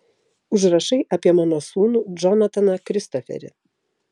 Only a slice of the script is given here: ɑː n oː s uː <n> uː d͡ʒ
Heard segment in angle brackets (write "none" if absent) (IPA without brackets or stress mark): n